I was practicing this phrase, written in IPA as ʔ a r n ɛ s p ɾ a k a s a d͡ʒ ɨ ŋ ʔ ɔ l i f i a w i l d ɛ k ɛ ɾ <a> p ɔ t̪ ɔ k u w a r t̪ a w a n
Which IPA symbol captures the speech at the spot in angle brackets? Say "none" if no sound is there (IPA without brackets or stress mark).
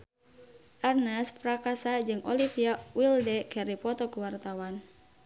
i